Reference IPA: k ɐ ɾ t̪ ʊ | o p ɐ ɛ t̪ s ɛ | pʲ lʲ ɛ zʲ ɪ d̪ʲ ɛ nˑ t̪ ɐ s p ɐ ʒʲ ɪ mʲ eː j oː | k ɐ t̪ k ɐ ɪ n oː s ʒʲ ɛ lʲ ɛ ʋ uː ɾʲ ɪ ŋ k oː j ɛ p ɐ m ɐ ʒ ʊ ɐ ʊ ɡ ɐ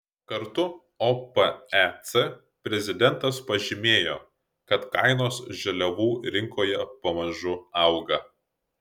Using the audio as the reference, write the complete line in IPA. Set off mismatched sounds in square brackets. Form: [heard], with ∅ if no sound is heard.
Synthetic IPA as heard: k ɐ ɾ t̪ ʊ | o p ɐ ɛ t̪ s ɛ | pʲ [ɾʲ] ɛ zʲ ɪ d̪ʲ ɛ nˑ t̪ ɐ s p ɐ ʒʲ ɪ mʲ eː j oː | k ɐ t̪ k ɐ ɪ n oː s ʒʲ ɛ lʲ ɛ ʋ uː ɾʲ ɪ ŋ k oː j ɛ p ɐ m ɐ ʒ ʊ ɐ ʊ ɡ ɐ